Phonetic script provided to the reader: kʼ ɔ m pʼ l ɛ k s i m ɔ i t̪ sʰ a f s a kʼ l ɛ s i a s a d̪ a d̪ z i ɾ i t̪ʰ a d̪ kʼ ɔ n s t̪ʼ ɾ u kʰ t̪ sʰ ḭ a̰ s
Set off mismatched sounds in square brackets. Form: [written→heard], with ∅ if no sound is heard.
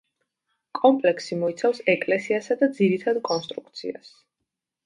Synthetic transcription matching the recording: kʼ ɔ m pʼ l ɛ k s i m ɔ i t̪ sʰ a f s [a→ɛ] kʼ l ɛ s i a s a d̪ a d̪ z i ɾ i t̪ʰ a d̪ kʼ ɔ n s t̪ʼ ɾ u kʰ t̪ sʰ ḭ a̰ s